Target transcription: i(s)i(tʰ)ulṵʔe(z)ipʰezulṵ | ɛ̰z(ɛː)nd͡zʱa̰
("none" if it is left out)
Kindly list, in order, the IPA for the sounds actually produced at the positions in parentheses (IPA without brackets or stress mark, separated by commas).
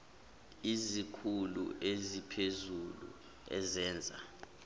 z, kʰ, z, ɛː